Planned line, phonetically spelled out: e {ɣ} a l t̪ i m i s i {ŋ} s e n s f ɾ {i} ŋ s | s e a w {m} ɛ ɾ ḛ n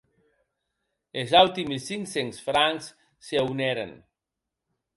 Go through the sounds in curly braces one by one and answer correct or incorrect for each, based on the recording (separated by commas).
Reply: incorrect, correct, incorrect, incorrect